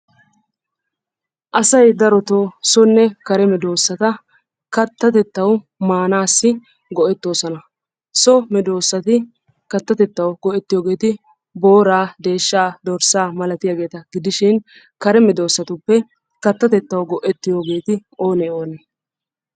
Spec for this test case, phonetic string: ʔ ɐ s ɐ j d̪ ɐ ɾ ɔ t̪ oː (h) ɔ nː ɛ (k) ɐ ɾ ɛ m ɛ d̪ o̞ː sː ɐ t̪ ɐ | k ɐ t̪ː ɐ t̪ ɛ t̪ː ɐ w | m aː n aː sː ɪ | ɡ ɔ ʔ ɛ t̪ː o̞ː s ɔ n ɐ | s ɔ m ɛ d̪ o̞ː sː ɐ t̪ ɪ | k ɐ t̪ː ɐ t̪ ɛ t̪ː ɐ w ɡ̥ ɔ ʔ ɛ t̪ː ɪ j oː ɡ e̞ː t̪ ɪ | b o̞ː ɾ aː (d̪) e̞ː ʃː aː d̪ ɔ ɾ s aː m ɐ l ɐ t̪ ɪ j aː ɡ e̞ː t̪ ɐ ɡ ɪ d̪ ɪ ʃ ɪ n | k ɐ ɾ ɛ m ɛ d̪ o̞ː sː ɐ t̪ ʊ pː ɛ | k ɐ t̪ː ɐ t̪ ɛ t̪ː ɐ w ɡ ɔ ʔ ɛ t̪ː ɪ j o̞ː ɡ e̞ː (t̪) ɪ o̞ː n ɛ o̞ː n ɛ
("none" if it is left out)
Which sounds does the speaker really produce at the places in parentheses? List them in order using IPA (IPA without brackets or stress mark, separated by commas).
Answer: s, k, d̪, t̪